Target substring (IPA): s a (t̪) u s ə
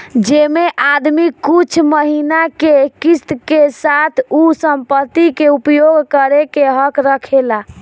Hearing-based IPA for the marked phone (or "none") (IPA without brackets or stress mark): t̪ʰ